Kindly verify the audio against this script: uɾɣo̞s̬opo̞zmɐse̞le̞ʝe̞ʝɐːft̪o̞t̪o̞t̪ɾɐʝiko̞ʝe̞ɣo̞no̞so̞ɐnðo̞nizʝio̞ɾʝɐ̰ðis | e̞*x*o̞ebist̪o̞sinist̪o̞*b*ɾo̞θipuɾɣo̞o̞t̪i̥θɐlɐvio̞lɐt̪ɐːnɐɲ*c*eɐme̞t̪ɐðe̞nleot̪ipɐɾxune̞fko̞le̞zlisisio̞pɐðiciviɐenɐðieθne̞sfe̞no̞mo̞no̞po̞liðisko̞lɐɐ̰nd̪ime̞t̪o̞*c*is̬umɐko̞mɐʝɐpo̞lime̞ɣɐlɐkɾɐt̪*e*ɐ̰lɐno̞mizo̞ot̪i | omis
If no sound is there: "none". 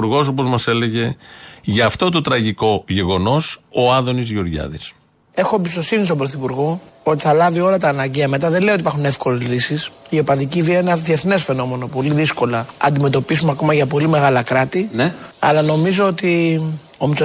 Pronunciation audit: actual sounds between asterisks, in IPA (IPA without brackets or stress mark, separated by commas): x, b, ɟ, p, i